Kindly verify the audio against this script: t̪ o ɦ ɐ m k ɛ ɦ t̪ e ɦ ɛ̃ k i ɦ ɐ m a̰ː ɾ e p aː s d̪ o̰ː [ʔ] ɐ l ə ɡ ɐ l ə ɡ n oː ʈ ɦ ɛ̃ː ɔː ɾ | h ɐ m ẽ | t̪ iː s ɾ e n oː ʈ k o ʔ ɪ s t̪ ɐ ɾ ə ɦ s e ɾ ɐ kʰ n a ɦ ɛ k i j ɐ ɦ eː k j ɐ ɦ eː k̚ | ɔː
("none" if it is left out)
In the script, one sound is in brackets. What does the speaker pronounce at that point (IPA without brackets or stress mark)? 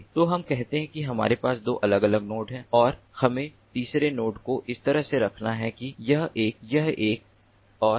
ʔ